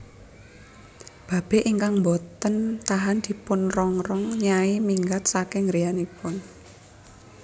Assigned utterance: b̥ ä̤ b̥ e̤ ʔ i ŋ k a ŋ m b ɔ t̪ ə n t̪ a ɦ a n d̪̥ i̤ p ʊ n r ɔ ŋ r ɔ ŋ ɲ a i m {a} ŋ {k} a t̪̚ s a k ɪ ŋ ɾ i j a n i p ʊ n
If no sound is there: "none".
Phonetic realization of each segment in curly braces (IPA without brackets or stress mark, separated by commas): i, ɡ